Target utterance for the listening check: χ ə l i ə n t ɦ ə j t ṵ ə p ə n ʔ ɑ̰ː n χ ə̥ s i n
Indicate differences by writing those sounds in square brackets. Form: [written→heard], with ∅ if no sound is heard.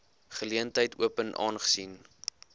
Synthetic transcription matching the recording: χ ə l i ə n t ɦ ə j t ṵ ə p ə n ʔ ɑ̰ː n χ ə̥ s i n